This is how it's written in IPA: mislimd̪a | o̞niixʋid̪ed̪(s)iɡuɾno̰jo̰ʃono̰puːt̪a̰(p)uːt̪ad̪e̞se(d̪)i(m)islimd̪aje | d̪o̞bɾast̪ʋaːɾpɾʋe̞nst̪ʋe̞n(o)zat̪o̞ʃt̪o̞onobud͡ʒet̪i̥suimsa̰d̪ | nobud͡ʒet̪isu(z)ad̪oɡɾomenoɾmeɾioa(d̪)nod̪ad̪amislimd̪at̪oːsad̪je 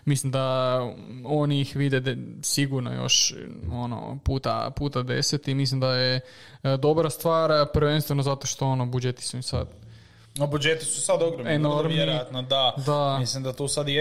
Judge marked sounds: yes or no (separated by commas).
yes, yes, no, yes, yes, no, no